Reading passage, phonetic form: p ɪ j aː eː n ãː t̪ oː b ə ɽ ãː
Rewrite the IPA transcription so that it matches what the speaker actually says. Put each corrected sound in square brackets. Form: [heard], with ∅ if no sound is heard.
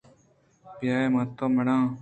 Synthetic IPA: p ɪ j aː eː [m] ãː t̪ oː [m] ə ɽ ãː